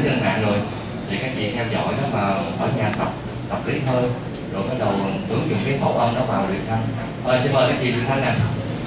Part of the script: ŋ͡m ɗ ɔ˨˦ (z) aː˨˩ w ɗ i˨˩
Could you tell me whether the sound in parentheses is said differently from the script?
yes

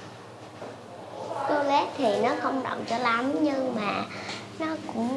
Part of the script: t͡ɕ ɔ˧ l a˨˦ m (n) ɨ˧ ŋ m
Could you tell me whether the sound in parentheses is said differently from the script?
yes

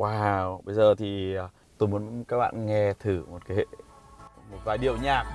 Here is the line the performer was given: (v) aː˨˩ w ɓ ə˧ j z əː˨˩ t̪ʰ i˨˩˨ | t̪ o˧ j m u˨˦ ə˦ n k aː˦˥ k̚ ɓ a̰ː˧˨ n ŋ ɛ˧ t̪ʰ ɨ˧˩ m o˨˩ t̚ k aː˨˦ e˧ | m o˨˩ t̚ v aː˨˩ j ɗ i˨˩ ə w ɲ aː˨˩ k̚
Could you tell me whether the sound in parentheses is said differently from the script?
yes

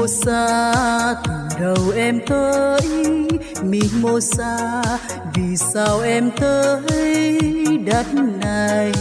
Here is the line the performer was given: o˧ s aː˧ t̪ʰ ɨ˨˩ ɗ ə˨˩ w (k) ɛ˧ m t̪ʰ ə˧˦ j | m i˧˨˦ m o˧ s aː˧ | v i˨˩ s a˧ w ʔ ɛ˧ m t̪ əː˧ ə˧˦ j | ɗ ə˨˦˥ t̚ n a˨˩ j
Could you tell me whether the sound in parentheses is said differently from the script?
yes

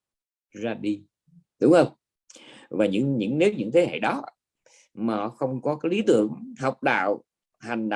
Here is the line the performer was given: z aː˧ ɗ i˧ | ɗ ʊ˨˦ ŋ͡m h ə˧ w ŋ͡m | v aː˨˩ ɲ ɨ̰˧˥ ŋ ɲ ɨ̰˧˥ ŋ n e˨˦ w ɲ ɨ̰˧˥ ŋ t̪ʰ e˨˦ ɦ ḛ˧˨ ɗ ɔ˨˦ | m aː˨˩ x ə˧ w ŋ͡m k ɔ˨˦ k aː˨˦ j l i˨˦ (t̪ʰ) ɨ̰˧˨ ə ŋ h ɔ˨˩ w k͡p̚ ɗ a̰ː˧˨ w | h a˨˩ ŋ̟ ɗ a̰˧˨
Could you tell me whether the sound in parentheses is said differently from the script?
yes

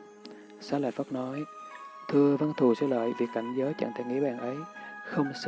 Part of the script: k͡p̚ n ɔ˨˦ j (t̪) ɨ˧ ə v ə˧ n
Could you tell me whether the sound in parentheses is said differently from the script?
yes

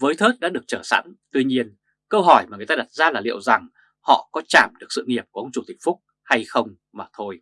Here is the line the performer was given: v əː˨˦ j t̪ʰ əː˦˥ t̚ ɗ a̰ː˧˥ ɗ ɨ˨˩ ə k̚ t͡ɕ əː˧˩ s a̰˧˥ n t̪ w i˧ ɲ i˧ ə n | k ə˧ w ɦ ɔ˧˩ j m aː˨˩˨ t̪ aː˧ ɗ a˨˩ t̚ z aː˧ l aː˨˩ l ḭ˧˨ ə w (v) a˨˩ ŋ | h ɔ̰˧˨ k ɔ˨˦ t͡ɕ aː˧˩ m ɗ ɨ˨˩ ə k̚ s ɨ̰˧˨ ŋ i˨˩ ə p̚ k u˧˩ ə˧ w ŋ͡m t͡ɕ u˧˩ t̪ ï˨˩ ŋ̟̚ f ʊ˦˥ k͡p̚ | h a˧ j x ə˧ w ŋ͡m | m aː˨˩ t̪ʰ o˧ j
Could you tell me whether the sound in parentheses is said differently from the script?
yes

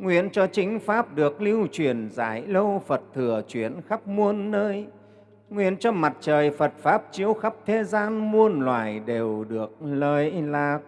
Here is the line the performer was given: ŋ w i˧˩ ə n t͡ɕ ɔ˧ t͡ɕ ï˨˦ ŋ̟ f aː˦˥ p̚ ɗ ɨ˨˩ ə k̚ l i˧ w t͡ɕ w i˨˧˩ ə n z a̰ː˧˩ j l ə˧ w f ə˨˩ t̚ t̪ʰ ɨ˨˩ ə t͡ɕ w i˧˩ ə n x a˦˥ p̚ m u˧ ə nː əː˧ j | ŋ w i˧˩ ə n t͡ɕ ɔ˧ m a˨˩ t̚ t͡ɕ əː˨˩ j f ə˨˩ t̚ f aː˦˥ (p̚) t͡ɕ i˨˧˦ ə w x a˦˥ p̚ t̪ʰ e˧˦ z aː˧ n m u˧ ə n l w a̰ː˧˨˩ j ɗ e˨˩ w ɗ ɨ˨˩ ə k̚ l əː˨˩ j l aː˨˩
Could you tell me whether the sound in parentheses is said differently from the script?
no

